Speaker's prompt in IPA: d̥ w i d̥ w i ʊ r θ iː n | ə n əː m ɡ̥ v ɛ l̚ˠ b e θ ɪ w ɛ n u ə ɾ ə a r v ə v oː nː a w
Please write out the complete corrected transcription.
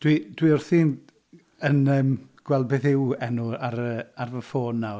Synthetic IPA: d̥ w i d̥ w i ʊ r θ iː n | ə n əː m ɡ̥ w ɛ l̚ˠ b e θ ɪ w ɛ n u a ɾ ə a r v ə f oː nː a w